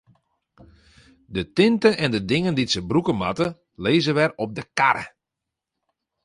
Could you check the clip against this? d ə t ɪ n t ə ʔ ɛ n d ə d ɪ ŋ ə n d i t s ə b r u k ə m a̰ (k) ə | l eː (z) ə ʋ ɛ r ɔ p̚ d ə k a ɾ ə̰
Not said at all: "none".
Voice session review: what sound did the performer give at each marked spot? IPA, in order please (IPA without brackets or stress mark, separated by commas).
t, z